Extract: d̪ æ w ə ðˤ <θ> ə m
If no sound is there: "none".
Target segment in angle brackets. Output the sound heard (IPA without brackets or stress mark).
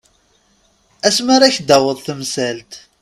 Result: θ